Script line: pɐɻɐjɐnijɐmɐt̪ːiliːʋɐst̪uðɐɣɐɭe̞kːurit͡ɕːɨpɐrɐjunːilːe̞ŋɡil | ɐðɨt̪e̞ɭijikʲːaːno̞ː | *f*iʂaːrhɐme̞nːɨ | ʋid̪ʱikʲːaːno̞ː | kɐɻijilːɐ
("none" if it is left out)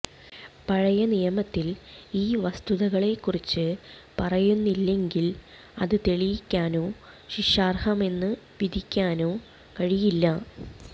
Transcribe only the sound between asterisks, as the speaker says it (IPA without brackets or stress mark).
ɕ